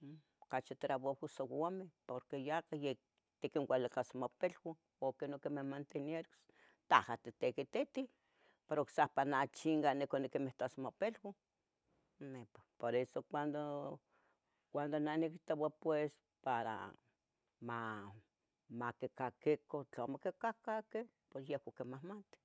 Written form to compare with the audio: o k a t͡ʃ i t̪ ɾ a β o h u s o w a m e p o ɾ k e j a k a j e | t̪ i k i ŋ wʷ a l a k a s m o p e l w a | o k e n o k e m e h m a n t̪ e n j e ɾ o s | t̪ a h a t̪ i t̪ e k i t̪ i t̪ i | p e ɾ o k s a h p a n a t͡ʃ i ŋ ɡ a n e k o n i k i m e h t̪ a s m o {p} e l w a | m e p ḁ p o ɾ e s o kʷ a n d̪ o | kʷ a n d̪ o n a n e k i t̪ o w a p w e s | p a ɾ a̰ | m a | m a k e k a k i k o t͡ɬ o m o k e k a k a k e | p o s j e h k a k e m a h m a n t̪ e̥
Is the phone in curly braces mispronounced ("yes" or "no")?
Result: no